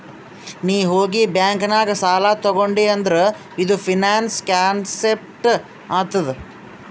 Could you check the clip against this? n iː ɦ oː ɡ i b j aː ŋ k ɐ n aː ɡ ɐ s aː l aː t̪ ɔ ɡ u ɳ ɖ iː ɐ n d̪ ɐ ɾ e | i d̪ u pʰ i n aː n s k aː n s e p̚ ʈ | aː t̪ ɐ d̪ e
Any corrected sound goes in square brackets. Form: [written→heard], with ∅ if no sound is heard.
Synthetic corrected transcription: n iː ɦ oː ɡ i b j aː ŋ k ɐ n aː ɡ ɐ s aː l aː t̪ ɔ ɡ [u→o] ɳ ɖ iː ɐ n d̪ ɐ ɾ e | i d̪ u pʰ i n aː n s k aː n s e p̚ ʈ | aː t̪ ɐ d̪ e